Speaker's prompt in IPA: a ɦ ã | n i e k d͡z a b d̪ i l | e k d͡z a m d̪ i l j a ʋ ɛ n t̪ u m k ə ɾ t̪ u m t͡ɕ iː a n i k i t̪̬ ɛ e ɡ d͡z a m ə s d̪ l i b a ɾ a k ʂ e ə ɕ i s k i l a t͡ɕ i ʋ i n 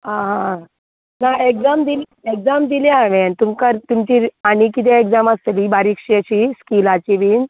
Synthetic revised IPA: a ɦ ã | n a e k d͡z a m d̪ i l | e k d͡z a m d̪ i l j a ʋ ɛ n t̪ u m k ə ɾ t̪ u m t͡ɕ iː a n i k i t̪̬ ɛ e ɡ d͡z a m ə s t̪ l i b a ɾ i k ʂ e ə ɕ i s k i l a t͡ɕ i ʋ i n

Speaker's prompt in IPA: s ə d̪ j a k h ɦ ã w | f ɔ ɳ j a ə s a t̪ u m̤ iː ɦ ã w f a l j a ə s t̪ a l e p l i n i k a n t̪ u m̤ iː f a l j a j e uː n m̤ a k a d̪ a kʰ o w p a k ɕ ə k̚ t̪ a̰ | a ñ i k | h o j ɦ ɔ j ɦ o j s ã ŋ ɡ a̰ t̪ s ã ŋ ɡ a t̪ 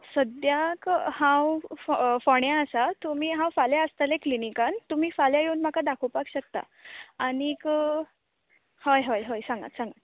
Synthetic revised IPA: s ə d̪ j a k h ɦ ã w | f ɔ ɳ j a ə s a t̪ u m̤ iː ɦ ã w f a l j a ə s t̪ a l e k l i n i k a n t̪ u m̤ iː f a l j a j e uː n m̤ a k a d̪ a kʰ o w p a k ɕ ə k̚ t̪ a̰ | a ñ i k | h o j ɦ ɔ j ɦ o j s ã ŋ ɡ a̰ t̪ s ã ŋ ɡ a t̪

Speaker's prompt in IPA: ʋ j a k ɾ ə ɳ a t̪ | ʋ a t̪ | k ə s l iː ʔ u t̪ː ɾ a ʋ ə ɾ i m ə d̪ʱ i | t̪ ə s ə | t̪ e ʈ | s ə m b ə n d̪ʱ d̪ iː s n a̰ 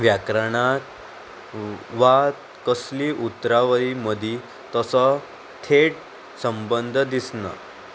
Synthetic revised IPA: ʋ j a k ɾ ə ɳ a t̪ | ʋ a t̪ | k ə s l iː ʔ u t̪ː ɾ a ʋ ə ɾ i m ə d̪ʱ i | t̪ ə s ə | t̪ʰ e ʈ | s ə m b ə n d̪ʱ d̪ i s n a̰

